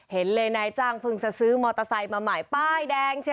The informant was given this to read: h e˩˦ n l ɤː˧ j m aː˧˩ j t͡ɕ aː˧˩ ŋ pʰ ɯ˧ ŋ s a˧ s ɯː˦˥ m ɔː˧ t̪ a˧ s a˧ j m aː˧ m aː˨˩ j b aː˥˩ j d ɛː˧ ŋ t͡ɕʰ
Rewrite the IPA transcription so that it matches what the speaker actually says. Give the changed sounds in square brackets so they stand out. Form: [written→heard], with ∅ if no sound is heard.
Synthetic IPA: h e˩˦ n l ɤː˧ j [m→n] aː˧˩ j t͡ɕ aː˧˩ ŋ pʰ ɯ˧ ŋ s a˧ s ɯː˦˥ m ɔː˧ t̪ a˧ s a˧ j m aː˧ m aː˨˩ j [b→p] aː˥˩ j d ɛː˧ ŋ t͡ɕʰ